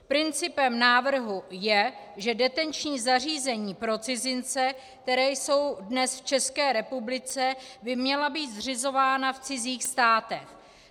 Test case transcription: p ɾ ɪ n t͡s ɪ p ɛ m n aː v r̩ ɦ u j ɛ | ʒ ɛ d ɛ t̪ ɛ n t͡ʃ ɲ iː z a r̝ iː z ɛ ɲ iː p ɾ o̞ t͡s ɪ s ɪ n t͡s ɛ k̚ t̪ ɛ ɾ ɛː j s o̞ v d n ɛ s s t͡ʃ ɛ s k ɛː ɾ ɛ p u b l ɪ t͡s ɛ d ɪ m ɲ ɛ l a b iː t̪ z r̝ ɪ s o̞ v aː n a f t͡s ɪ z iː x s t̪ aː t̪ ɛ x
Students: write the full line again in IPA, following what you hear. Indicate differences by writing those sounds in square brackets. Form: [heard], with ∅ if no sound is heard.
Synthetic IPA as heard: p ɾ ɪ n t͡s ɪ p ɛ m n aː v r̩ ɦ u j ɛ | ʒ ɛ d ɛ t̪ ɛ n t͡ʃ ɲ iː z a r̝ iː z ɛ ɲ iː p ɾ o̞ t͡s ɪ [z] ɪ n t͡s ɛ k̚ t̪ ɛ ɾ ɛː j s o̞ [w] d n ɛ s [f] t͡ʃ ɛ s k ɛː ɾ ɛ p u b l ɪ t͡s ɛ [b] ɪ m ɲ ɛ l a b iː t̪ z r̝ ɪ [z] o̞ v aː n a f t͡s ɪ z iː x s t̪ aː t̪ ɛ x